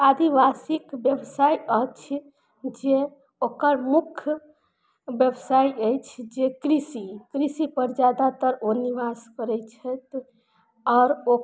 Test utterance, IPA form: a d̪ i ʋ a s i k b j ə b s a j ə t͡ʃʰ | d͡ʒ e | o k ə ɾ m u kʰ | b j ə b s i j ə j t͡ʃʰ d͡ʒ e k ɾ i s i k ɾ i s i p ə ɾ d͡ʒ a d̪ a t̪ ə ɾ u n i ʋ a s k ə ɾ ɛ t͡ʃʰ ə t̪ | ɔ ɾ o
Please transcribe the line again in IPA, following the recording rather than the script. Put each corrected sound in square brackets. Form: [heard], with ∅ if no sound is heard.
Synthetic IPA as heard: a d̪ i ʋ a s i k b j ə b s a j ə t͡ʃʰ | d͡ʒ e | o k ə ɾ m u kʰ | b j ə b s [a] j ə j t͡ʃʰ d͡ʒ e k ɾ i s i k ɾ i s i p ə ɾ d͡ʒ a d̪ a t̪ ə ɾ [o] n i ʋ a s k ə ɾ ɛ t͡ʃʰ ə t̪ | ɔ ɾ o